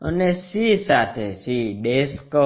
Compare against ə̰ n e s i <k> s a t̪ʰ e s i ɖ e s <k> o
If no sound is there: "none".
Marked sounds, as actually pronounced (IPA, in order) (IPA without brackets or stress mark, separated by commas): none, k